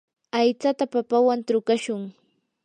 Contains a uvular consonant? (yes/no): no